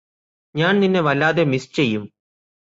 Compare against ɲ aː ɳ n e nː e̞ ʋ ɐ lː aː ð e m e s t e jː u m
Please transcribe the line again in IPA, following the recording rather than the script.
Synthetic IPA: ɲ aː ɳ n i nː e̞ ʋ ɐ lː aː ð e m i s t͡ɕ e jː u m